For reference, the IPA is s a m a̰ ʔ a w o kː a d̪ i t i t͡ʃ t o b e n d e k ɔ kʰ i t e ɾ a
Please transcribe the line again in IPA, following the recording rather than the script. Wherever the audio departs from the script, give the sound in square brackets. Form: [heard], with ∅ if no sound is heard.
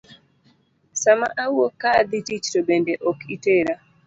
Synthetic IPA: s a m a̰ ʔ a w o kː a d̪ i t i t͡ʃ t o b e n d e [ʔ] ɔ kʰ i t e ɾ a